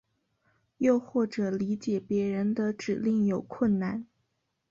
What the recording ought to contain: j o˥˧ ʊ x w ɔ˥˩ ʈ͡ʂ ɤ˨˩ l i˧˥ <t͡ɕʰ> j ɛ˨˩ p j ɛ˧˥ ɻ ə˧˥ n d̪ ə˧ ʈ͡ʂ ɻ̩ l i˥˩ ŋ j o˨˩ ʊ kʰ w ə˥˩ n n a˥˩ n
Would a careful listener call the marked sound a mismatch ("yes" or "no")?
yes